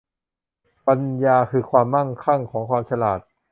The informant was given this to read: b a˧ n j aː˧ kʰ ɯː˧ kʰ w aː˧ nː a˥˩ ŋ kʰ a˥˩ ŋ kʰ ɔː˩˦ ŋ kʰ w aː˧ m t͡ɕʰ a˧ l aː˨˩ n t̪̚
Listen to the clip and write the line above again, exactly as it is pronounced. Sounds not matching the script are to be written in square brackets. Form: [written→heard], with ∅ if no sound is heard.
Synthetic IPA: [b→p] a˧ n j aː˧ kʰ ɯː˧ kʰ w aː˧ [nː→mː] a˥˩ ŋ kʰ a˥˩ ŋ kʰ ɔː˩˦ ŋ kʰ w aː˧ m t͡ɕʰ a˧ l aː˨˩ [n→∅] t̪̚